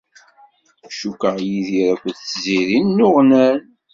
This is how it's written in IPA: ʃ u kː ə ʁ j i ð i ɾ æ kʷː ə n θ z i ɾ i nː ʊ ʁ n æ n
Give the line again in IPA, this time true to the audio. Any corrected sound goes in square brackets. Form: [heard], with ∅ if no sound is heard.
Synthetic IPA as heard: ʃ u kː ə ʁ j i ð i ɾ æ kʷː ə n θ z i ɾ i nː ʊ ʁ n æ n